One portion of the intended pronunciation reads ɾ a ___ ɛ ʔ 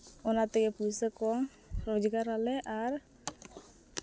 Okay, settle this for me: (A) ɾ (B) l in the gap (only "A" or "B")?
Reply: B